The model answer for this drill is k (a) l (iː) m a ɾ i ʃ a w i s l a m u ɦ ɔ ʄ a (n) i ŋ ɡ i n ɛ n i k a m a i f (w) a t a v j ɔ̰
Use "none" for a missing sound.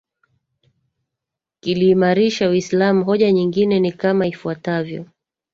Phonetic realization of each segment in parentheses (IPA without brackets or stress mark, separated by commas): i, iː, ɲ, u